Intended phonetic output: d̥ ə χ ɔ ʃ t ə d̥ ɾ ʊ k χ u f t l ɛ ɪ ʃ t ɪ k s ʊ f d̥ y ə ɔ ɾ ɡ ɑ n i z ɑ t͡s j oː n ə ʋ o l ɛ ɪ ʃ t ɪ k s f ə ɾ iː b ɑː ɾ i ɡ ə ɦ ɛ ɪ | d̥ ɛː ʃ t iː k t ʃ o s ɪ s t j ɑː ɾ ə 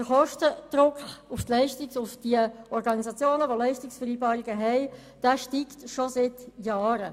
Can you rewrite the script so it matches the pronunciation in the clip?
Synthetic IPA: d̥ ə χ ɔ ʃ t ə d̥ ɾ ʊ k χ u f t l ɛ ɪ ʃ t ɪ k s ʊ f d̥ i ə ɔ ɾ ɡ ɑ n i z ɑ t͡s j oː n ə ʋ o l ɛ ɪ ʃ t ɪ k s f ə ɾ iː b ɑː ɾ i ɡ ə ɦ ɛ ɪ | d̥ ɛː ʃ t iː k t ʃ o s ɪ t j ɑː ɾ ə